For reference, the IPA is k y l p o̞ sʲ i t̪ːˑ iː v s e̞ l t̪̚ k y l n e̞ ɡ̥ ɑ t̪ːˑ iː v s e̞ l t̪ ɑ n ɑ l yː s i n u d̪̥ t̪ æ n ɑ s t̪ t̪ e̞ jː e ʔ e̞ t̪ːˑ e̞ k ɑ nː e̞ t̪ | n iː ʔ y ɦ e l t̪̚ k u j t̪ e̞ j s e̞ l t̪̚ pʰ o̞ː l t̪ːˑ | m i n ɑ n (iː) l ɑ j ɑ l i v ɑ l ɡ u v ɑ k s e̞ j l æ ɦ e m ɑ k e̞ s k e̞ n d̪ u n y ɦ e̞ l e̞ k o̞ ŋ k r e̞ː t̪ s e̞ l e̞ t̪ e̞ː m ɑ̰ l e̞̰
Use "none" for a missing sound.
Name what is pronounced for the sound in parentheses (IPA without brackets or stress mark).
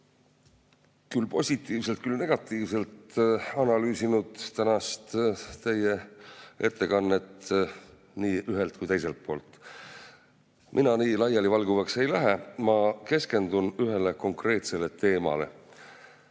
iː